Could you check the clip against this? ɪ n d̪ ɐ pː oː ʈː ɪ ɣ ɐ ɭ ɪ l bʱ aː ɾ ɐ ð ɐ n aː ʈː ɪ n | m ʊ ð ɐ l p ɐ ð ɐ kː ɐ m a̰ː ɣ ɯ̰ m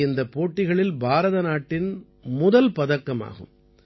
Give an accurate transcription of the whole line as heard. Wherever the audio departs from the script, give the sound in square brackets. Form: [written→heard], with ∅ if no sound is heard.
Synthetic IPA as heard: ɪ n d̪ ɐ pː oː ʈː ɪ ɣ ɐ ɭ ɪ l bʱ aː ɾ ɐ ð ɐ n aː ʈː ɪ n | m ʊ ð ɐ l p ɐ ð ɐ kː ɐ m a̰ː ɣ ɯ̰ m